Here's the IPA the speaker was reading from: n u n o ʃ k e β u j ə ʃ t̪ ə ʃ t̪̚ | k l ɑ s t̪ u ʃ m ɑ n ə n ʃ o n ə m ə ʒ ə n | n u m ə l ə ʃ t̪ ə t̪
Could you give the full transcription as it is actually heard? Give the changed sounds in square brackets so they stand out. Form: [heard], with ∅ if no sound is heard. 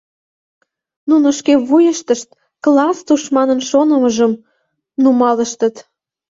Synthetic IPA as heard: n u n o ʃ k e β u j ə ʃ t̪ ə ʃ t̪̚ | k l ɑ s t̪ u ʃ m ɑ n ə n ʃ o n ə m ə ʒ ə [m] | n u m [ɑ] l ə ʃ t̪ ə t̪

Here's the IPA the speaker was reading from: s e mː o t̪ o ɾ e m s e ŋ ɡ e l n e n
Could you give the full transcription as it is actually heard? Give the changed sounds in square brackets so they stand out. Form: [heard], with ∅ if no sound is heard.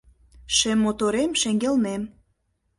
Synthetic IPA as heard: [ʃ] e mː o t̪ o ɾ e m [ʃ] e ŋ ɡ e l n e [m]

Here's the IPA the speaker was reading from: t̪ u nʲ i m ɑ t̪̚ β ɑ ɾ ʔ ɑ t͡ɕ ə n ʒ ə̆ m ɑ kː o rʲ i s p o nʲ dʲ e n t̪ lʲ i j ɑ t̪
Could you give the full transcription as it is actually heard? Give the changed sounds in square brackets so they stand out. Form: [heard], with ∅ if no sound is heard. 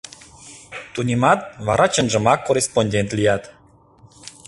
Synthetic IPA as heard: t̪ u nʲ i m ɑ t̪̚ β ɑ ɾ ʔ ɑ t͡ɕ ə n ʒ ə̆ m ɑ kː o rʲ [e] s p o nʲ dʲ e n t̪ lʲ i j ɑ t̪

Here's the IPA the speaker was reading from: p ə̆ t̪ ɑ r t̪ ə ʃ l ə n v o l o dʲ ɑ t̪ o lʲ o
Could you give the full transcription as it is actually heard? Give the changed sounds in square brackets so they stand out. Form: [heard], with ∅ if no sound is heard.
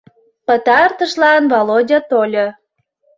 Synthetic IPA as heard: p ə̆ t̪ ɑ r t̪ ə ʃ l [ɑ] n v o l o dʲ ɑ t̪ o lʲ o

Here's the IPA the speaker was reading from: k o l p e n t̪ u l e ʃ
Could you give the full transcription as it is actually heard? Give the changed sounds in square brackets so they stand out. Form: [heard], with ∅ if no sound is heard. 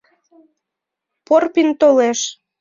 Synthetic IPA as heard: [p] o [r] p [i] n t̪ [o] l e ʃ

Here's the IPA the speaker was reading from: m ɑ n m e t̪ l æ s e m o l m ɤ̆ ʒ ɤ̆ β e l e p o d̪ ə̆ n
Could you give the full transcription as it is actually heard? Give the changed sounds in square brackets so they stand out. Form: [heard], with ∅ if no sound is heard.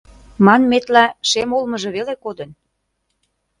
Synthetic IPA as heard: m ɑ n m e t̪ l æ [ʃ] e m o l m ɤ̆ ʒ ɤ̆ β e l e [k] o d̪ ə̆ n

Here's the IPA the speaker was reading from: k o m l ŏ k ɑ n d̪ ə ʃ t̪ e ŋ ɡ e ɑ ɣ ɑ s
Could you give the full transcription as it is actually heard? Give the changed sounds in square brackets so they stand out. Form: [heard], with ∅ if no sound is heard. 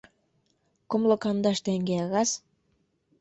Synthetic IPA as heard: k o m l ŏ k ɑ n d̪ [ɑ] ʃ t̪ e ŋ ɡ e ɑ ɣ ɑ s

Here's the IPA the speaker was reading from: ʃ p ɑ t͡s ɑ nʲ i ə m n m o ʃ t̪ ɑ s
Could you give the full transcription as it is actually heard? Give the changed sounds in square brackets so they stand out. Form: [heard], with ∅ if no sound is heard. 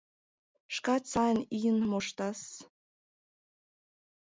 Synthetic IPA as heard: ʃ [k] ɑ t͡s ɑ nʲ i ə [∅] n m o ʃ t̪ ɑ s

